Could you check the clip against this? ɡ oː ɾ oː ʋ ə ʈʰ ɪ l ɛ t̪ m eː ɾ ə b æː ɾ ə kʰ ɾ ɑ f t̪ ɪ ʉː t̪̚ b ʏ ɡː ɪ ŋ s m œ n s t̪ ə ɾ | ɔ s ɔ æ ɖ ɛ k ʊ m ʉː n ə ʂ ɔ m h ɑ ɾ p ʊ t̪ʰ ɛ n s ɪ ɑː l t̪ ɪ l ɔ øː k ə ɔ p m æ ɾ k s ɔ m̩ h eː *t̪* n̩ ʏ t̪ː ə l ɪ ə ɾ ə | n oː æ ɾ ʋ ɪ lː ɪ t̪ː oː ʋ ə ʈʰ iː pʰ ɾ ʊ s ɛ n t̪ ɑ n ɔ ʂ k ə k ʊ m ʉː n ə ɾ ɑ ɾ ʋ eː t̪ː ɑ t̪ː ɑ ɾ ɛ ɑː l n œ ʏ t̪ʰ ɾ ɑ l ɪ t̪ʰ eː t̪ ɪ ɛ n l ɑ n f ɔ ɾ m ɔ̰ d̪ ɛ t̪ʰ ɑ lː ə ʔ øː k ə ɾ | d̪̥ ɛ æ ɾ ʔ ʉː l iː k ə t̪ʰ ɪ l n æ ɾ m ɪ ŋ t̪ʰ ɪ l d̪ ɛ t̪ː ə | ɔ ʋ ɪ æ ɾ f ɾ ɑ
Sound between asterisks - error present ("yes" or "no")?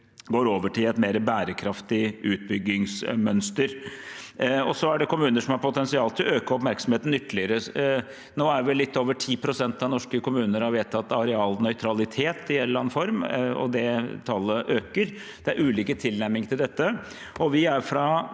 no